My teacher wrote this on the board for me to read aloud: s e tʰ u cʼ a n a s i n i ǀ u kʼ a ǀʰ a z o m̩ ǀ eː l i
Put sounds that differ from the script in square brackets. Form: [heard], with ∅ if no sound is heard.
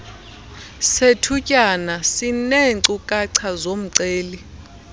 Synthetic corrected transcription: s e tʰ u cʼ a n a s i n [e] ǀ u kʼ a ǀʰ a z o m̩ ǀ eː l i

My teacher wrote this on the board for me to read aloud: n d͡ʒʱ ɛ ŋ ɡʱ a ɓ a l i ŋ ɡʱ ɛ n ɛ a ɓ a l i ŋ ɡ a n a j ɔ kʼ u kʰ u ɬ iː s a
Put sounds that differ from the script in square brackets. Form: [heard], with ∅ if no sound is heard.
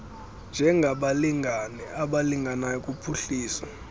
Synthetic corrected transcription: n d͡ʒʱ ɛ ŋ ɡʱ a ɓ a l i ŋ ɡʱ [a] n ɛ a ɓ a l i ŋ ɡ a n a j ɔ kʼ u [pʰ] u ɬ iː s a

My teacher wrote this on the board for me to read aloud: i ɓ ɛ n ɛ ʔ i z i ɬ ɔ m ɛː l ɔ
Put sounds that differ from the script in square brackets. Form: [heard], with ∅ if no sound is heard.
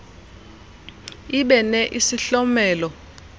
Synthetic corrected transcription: i ɓ ɛ n ɛ ʔ i [s] i ɬ ɔ m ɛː l ɔ

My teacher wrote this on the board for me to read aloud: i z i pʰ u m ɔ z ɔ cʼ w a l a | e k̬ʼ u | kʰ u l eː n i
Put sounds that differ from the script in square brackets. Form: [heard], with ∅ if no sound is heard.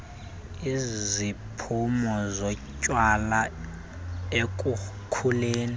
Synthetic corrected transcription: i z i pʰ u m ɔ z ɔ cʼ w a l a | e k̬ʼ u | kʰ u l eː n i

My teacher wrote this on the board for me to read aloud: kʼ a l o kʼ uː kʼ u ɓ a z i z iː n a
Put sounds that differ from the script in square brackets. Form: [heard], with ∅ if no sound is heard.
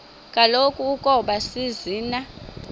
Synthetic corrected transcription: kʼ a l o kʼ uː kʼ [ɔ] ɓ a [s] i z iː n a

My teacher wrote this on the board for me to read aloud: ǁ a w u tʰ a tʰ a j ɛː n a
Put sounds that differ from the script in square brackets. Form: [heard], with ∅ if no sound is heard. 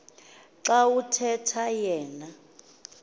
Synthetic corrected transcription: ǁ a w u tʰ [ɛ] tʰ a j ɛː n a

